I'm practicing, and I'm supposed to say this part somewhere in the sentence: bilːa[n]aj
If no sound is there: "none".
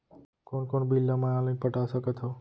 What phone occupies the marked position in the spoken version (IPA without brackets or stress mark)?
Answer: m